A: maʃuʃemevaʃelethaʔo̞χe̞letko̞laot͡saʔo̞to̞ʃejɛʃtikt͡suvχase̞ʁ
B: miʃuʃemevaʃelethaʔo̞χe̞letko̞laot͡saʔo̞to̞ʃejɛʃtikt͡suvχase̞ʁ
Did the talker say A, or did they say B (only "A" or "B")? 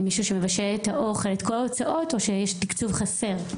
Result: B